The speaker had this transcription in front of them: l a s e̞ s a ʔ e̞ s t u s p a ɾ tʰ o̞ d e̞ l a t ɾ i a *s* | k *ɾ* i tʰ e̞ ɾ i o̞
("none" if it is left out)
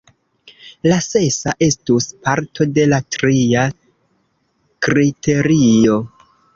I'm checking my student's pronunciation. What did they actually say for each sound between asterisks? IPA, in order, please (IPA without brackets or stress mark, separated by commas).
none, ɾ